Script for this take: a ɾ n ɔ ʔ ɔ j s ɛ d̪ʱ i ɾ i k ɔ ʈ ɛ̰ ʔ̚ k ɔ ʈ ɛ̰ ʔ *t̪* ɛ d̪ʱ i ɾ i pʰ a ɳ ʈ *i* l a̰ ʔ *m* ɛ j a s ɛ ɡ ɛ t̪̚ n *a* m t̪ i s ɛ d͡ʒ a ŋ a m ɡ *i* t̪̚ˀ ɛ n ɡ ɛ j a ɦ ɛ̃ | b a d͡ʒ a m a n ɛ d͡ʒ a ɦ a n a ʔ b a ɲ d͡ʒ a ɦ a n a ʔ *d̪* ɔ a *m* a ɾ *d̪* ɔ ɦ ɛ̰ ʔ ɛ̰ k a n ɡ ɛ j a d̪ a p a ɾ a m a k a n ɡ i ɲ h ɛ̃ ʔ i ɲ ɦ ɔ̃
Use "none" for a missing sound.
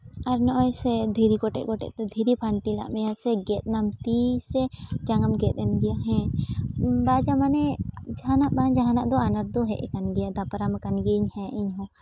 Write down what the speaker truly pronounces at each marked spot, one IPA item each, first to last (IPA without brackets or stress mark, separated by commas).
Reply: t̪, i, m, a, ɛ, d̪, n, d̪